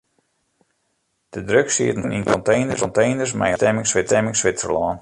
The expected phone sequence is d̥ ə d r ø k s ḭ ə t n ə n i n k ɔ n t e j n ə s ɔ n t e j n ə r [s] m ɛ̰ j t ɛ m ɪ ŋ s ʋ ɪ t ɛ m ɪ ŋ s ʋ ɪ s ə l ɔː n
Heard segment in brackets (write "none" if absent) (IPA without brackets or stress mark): s